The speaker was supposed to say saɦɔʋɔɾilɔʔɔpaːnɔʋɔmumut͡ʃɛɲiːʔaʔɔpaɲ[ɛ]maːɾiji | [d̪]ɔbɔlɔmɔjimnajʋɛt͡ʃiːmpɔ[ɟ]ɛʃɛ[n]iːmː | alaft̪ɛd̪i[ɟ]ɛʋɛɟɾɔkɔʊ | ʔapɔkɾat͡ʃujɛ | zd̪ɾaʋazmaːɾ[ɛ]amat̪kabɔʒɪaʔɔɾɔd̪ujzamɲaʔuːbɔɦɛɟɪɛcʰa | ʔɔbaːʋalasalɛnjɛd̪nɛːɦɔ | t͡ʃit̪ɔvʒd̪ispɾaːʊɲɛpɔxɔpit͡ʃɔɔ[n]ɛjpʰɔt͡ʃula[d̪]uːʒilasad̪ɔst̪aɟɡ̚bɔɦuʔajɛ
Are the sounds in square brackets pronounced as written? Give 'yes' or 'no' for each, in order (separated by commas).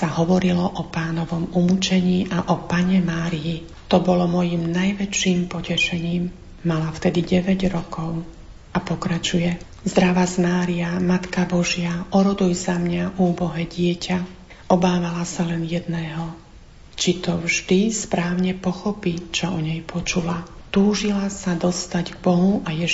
yes, no, no, no, yes, no, no, no